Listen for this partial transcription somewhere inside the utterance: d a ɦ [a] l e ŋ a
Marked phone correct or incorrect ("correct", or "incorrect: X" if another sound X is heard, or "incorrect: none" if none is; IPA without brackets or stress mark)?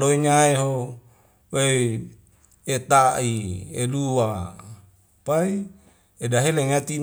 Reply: incorrect: e